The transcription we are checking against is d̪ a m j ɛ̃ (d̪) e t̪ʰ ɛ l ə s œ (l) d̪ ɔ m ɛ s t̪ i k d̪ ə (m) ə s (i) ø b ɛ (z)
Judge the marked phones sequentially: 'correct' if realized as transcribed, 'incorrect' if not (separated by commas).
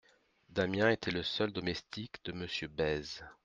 incorrect, correct, correct, incorrect, correct